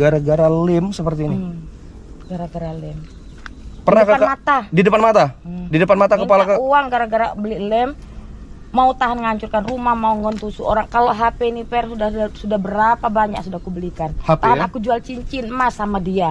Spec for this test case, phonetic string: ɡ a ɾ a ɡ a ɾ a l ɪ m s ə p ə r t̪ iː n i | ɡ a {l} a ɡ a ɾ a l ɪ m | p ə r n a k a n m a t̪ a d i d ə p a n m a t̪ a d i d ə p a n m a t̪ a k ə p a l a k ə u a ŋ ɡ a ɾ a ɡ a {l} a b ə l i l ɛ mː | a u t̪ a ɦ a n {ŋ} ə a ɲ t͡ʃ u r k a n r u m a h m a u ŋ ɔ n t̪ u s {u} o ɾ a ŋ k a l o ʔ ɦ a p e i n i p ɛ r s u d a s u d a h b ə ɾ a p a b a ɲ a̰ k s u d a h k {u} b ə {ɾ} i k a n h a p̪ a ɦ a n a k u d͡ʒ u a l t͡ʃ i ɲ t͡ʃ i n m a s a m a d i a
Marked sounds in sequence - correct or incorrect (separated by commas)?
incorrect, incorrect, correct, correct, correct, incorrect